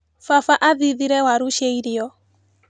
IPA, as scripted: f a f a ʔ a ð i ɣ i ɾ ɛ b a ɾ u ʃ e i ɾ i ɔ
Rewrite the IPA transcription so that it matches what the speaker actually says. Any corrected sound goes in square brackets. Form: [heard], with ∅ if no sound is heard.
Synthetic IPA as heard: f a f a ʔ a ð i [ð] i ɾ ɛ [w] a ɾ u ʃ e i ɾ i ɔ